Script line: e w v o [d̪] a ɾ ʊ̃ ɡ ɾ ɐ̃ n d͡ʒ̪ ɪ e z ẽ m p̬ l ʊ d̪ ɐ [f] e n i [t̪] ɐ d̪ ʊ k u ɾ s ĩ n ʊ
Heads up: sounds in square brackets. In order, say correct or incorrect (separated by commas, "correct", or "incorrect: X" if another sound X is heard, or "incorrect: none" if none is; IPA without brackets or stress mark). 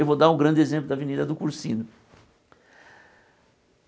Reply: correct, incorrect: v, incorrect: d̪